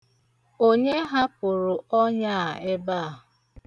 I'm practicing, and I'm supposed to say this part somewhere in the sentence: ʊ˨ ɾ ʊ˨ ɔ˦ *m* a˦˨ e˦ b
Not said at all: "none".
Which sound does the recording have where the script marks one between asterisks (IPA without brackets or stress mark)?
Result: ɲ